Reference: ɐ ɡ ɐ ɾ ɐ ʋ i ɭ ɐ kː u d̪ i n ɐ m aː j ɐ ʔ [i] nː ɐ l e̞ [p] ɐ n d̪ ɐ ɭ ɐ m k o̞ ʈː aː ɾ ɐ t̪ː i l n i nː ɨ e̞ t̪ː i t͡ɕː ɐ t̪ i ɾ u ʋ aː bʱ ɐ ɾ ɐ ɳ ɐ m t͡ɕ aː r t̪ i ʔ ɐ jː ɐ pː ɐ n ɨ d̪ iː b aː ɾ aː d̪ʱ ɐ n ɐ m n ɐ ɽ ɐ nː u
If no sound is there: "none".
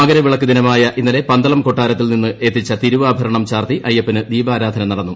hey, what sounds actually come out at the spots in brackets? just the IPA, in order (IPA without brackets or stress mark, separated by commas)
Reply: i, p